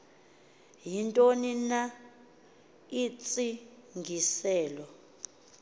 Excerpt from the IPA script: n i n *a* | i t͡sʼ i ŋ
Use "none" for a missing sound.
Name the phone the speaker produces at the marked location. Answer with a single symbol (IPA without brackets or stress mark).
a